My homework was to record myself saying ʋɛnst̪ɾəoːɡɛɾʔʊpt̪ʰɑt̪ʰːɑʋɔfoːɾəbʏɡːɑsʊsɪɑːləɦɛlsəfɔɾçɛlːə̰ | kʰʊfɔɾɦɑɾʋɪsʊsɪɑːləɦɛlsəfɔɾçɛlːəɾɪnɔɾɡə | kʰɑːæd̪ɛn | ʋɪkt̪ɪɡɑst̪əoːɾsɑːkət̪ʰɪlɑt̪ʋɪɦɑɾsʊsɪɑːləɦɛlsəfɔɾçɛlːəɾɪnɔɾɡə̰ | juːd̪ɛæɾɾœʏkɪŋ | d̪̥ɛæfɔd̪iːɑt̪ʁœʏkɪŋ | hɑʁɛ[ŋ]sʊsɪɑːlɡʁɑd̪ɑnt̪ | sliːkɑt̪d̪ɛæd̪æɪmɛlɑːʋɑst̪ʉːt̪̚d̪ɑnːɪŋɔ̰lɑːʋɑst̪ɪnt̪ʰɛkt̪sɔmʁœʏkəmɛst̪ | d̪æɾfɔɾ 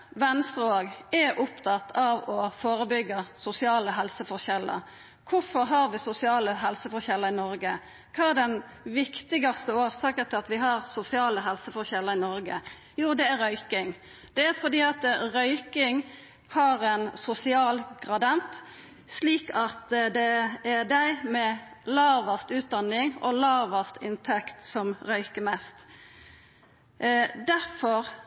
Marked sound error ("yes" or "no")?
yes